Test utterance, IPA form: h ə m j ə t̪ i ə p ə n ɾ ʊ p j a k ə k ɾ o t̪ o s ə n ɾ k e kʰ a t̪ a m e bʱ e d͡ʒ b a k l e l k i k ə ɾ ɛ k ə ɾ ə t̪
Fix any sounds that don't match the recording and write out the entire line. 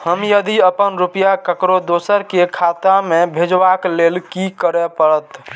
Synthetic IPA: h ə m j ə d̪ i ə p ə n ɾ u p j a k ə k ɾ o d̪ o s ə ɾ k e kʰ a t̪ a m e bʱ e d͡ʒ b a k l e l k i k ə ɾ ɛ p ə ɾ ə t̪